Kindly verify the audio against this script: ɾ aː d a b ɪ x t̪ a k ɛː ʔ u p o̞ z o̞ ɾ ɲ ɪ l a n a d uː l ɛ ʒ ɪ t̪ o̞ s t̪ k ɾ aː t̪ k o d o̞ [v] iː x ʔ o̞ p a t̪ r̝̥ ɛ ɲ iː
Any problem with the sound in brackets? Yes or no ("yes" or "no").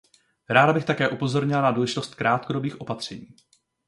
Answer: yes